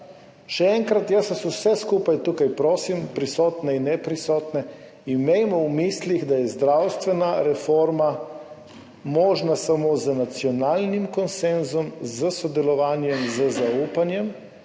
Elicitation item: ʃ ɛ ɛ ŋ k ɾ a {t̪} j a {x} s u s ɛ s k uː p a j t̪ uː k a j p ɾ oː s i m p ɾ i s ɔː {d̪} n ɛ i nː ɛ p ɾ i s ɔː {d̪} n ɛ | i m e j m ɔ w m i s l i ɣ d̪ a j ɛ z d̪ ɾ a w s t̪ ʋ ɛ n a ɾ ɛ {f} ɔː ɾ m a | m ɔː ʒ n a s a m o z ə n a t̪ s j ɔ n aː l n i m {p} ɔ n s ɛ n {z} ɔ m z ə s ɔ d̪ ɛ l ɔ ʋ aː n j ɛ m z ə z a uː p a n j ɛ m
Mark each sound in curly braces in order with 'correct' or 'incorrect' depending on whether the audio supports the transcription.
correct, incorrect: s, incorrect: t̪, incorrect: t̪, correct, incorrect: k, correct

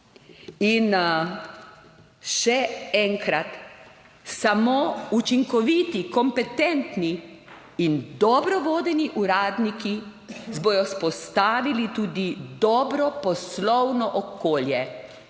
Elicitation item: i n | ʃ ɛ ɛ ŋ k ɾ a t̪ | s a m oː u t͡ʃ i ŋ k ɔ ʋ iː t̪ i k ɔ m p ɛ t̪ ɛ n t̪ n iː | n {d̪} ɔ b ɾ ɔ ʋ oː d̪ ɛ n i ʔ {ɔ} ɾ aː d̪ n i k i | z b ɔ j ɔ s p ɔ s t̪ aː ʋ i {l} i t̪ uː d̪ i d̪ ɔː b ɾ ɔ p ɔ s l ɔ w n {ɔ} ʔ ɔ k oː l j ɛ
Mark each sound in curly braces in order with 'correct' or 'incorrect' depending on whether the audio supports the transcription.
correct, incorrect: u, correct, correct

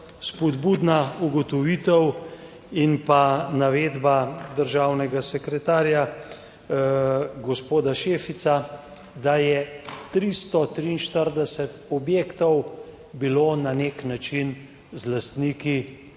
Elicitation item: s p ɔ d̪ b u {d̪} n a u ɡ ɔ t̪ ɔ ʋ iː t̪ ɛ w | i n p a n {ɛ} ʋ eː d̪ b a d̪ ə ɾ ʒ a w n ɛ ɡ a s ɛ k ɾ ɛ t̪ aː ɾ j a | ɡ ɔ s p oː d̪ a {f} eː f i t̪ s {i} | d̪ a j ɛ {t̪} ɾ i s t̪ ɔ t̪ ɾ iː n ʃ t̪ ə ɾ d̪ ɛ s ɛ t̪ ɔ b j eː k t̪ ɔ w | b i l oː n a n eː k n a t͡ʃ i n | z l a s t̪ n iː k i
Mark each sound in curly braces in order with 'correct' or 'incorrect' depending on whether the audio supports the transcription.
correct, incorrect: a, incorrect: ʃ, incorrect: a, correct

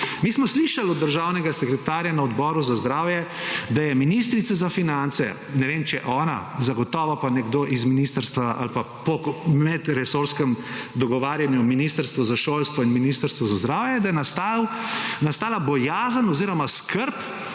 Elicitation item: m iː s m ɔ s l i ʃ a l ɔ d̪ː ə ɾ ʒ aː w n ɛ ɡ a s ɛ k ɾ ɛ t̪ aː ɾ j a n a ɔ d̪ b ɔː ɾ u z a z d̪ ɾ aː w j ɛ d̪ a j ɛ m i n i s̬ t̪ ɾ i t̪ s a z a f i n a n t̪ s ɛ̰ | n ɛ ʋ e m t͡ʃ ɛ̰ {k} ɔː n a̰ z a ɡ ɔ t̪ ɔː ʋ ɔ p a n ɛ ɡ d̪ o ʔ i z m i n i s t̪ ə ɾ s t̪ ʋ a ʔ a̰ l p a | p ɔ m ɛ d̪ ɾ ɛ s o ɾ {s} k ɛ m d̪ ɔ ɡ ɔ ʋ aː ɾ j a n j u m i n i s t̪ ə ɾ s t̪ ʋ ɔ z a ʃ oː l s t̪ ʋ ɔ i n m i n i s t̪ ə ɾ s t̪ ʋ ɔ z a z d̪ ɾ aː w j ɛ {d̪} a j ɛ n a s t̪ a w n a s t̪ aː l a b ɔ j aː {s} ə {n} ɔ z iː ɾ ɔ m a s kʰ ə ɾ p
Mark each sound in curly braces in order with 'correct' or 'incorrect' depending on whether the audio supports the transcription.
incorrect: ʔ, correct, correct, incorrect: z, correct

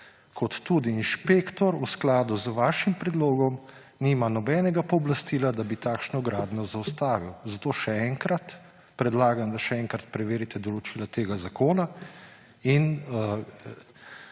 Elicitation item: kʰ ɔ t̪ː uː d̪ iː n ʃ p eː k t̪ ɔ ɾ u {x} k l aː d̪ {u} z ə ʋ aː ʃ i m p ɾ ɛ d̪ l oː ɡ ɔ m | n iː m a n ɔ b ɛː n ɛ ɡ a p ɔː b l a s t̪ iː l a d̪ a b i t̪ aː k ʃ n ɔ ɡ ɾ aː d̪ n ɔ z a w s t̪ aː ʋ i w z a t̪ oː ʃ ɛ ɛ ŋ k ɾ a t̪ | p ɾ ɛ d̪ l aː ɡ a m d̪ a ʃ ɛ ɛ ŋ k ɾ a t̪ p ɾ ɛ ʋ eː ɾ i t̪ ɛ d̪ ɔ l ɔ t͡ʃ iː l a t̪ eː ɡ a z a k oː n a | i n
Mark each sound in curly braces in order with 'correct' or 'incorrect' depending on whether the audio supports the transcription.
incorrect: s, correct

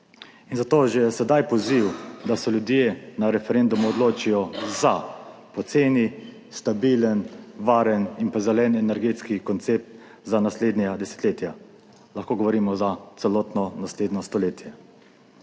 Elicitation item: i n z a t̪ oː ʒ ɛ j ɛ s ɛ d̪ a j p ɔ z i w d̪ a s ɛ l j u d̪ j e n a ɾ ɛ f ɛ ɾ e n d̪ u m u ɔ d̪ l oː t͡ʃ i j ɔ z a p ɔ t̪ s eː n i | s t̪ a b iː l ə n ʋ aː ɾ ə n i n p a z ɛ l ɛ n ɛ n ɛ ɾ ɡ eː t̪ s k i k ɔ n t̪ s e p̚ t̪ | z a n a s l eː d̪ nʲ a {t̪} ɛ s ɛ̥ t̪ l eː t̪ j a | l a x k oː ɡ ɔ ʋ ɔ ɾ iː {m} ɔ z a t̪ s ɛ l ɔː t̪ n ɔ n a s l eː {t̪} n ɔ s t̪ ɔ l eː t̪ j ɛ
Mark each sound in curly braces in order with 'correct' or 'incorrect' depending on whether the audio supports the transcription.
incorrect: d̪, correct, incorrect: d̪

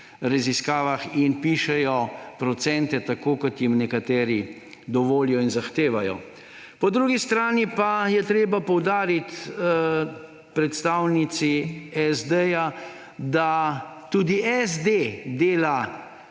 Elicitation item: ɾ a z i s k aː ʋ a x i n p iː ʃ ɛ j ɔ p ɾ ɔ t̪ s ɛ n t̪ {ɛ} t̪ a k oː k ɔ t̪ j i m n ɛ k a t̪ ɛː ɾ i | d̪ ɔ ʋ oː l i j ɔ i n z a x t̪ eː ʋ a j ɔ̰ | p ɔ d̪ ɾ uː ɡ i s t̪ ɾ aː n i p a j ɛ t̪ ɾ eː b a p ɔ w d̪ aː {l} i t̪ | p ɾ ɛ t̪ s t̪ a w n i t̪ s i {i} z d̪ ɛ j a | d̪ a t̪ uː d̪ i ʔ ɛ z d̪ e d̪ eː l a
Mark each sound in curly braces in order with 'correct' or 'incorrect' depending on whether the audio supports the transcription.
correct, incorrect: ɾ, incorrect: ɛ

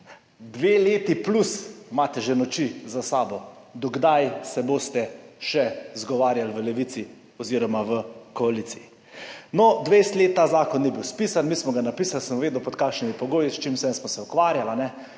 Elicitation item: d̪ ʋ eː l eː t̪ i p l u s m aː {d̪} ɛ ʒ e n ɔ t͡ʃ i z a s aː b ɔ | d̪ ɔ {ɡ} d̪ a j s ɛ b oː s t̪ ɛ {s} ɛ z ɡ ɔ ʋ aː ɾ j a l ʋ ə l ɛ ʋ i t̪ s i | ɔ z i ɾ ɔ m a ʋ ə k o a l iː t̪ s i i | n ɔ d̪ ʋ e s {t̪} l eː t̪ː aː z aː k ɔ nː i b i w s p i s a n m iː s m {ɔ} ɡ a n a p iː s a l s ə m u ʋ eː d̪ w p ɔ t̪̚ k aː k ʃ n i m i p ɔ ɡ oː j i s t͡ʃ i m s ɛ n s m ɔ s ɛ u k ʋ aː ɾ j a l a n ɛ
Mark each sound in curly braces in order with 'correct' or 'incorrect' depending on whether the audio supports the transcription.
incorrect: t̪, correct, incorrect: ʃ, correct, correct

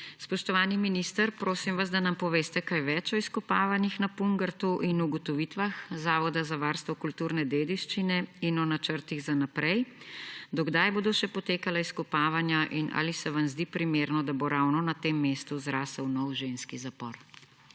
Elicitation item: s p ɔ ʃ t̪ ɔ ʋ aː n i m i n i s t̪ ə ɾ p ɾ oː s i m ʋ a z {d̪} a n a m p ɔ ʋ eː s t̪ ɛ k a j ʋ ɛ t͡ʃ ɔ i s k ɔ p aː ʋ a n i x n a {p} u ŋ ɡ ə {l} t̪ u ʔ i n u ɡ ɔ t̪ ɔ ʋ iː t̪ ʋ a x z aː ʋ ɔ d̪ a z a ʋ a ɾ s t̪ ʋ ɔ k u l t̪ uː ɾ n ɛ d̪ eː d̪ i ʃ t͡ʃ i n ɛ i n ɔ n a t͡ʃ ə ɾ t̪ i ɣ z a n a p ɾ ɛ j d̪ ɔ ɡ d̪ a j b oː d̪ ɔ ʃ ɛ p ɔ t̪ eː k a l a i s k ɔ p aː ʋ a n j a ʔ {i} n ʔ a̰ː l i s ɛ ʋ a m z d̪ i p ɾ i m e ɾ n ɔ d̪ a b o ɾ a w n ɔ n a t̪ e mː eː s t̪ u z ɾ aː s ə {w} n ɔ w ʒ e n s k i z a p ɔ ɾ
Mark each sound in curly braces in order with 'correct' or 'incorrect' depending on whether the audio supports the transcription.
correct, correct, incorrect: ɾ, correct, correct

